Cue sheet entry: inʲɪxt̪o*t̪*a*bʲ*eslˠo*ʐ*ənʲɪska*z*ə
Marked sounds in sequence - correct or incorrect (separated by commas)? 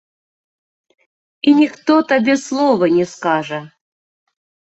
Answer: correct, correct, incorrect, incorrect